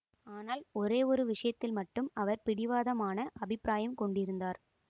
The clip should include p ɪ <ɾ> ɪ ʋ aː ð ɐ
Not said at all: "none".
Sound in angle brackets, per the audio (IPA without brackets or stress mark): ɽ